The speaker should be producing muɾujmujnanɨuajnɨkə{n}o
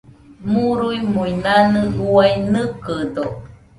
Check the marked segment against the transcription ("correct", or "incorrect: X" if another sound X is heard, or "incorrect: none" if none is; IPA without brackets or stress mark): incorrect: d